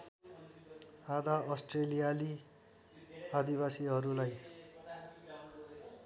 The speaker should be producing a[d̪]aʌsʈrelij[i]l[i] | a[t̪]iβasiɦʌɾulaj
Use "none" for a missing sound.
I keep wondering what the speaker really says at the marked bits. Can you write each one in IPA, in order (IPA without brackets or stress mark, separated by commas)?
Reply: d̪, a, i, d̪